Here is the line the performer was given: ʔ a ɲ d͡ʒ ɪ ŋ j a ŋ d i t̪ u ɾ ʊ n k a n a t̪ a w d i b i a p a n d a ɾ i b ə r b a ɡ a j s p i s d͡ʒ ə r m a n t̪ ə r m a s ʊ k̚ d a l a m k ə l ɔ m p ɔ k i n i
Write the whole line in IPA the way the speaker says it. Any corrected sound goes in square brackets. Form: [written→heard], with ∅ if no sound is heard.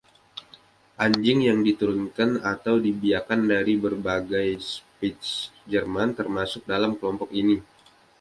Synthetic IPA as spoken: ʔ a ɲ d͡ʒ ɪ ŋ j a ŋ d i t̪ u ɾ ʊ n k a n a t̪ a w d i b i a [p→k] a n d a ɾ i b ə r b a ɡ a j s p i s d͡ʒ ə r m a n t̪ ə r m a s ʊ k̚ d a l a m k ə l ɔ m p ɔ k i n i